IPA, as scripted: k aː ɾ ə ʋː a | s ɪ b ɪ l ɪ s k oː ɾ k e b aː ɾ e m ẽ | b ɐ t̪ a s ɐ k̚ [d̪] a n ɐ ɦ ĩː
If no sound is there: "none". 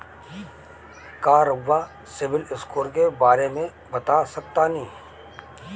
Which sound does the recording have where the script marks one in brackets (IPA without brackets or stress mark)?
t̪